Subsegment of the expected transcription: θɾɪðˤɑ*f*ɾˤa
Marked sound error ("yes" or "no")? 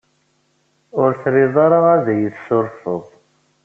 yes